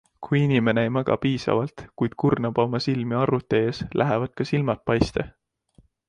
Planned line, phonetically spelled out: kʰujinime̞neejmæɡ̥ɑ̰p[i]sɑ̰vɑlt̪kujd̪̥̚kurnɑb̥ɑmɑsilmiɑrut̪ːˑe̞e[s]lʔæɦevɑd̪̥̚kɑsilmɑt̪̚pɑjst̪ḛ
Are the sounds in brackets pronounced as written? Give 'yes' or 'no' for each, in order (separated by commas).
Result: no, yes